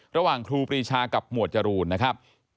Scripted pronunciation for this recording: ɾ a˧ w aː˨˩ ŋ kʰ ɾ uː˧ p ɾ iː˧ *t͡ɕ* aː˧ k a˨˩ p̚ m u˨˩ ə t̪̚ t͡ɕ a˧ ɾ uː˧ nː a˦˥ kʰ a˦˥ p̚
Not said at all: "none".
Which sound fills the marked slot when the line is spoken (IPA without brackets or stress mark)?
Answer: t͡ɕʰ